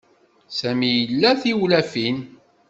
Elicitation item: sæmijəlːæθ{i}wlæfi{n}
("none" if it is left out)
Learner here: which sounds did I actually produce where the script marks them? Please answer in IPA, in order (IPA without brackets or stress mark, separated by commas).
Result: i, n